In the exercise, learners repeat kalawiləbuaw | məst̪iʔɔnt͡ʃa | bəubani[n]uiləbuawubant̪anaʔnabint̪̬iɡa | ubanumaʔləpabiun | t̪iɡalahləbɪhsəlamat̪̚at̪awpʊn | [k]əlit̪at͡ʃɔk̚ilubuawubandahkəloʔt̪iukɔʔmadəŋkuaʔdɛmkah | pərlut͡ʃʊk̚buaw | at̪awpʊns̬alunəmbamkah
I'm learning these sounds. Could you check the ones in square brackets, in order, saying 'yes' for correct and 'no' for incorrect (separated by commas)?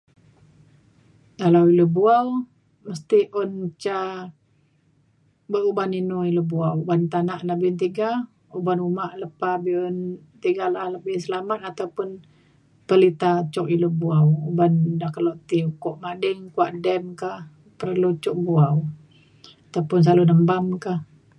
yes, no